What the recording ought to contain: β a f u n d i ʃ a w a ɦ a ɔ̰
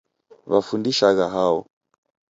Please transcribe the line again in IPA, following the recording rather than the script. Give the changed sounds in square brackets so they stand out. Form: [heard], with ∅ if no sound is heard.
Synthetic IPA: β a f u n d i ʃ a [ɣ] a ɦ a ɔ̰